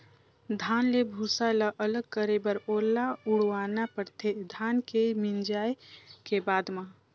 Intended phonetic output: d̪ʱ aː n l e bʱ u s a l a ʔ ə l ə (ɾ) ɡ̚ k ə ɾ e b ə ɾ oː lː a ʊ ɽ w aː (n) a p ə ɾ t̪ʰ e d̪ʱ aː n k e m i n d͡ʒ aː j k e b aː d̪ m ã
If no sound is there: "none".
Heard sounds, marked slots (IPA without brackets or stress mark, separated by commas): none, n